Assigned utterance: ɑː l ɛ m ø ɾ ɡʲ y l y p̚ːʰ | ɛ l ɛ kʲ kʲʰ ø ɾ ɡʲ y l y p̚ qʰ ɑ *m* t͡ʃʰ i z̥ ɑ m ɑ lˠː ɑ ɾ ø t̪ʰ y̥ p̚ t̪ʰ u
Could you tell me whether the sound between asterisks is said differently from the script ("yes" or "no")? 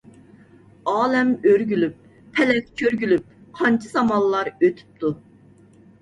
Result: yes